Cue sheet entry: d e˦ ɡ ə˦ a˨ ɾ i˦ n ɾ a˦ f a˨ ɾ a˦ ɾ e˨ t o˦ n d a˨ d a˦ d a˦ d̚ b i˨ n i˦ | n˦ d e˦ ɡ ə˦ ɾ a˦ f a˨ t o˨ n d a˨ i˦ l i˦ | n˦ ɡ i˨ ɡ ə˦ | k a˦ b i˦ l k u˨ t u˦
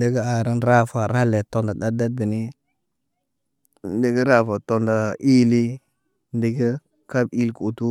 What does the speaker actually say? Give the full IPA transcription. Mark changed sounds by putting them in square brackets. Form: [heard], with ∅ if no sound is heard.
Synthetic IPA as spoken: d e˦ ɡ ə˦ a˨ ɾ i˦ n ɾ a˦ f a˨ ɾ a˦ [l] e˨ t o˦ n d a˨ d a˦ d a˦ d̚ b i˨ n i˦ | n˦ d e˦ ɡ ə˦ ɾ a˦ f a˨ t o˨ n d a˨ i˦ l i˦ | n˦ [d] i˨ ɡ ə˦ | k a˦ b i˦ l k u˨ t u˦